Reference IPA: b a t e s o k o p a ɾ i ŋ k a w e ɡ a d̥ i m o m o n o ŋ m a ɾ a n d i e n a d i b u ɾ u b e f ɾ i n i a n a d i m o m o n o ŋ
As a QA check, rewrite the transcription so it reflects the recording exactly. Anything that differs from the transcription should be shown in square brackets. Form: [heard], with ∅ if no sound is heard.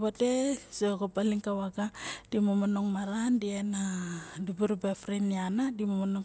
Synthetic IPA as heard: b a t e s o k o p a [l] i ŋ k a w [a] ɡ a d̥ i m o m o n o ŋ m a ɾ a n d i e n a d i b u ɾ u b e f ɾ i n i a n a d i m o m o n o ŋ